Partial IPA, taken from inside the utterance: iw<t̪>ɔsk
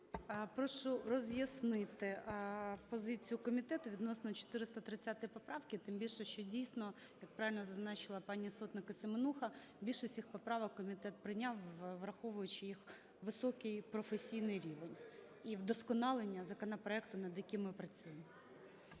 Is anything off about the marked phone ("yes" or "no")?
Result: yes